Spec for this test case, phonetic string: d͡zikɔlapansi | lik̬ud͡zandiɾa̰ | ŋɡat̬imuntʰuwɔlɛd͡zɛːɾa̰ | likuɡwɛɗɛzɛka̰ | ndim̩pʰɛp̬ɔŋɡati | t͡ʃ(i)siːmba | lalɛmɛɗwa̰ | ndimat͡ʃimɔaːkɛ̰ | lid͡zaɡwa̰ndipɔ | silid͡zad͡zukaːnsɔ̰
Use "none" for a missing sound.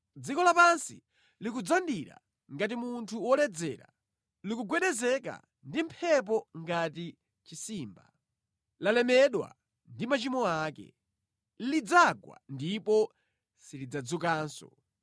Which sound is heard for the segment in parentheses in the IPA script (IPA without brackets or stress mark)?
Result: i